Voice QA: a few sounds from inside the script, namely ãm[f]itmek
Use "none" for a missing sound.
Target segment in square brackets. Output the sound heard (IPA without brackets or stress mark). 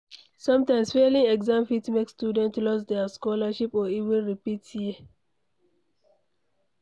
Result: f